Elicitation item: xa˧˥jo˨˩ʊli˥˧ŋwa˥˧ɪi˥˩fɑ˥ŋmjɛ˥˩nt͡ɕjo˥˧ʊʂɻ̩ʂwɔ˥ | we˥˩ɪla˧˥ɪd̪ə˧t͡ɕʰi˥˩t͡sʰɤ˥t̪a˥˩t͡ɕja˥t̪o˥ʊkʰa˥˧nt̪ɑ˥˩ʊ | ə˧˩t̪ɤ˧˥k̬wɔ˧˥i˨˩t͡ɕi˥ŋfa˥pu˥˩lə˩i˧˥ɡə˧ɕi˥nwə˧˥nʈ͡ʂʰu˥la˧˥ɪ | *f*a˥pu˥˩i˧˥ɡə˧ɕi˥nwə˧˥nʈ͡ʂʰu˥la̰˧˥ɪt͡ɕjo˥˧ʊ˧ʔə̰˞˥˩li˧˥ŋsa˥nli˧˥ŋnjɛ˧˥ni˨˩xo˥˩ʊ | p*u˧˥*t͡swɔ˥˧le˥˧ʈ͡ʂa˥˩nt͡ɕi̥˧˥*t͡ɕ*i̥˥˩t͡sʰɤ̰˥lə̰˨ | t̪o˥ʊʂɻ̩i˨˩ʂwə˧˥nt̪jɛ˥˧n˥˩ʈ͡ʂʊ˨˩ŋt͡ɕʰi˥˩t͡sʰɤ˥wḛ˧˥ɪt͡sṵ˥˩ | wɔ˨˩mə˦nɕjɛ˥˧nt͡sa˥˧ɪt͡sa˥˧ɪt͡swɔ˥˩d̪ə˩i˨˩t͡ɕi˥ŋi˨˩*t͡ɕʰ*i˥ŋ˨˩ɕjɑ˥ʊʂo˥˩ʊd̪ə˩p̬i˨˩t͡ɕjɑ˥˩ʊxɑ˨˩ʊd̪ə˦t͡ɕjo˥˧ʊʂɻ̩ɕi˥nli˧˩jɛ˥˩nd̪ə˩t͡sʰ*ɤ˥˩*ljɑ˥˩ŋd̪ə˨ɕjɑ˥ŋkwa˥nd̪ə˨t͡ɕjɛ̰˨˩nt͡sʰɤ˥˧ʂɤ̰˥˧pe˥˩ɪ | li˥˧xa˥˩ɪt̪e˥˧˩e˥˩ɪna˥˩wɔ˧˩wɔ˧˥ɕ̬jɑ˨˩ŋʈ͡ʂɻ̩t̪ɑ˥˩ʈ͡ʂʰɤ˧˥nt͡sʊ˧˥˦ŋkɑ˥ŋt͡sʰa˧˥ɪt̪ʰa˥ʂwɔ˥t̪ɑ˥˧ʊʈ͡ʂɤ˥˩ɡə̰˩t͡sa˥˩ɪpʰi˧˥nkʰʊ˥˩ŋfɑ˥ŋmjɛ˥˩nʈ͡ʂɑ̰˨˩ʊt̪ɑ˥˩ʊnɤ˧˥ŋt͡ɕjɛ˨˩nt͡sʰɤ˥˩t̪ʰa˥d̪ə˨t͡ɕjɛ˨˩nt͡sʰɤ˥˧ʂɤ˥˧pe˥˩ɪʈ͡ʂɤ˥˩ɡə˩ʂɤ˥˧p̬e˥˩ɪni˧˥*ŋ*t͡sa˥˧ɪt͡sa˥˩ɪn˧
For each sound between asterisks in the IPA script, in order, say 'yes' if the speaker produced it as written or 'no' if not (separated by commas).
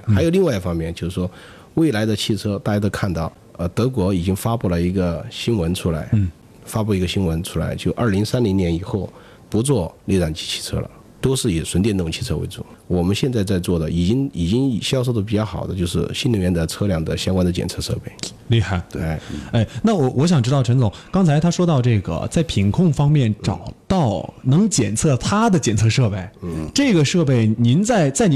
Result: yes, yes, no, no, no, no